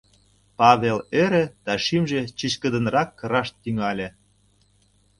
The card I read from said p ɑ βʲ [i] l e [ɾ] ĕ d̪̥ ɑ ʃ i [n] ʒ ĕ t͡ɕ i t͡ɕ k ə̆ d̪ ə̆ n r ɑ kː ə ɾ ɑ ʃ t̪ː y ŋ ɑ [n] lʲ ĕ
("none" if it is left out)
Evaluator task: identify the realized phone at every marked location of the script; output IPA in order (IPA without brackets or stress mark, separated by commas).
e, ɾ, m, none